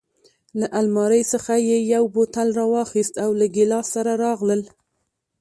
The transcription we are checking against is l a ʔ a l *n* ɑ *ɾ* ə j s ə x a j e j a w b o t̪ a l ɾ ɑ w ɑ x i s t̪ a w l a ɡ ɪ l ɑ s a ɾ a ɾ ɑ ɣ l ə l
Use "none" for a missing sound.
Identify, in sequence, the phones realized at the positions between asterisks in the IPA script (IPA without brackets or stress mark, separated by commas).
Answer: m, ɾ